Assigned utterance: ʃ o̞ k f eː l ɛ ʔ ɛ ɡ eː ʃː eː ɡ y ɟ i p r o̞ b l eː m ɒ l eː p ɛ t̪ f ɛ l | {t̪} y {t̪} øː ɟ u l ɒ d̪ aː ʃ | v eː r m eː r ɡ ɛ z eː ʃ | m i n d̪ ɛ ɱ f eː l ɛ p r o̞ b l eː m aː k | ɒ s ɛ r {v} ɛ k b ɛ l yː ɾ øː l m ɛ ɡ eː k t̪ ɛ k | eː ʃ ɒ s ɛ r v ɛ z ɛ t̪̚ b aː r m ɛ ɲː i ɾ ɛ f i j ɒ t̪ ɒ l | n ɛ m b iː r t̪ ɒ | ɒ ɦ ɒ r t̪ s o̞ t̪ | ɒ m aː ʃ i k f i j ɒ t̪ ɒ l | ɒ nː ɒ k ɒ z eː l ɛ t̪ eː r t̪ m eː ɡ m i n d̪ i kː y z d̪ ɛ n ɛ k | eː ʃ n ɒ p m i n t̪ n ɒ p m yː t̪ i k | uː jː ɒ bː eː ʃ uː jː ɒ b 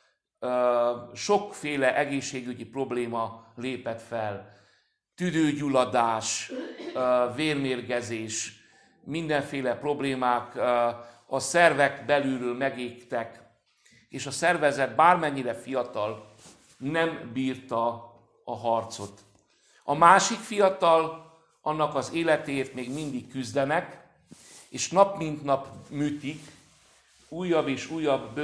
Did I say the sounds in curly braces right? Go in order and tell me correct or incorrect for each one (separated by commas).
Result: correct, incorrect, correct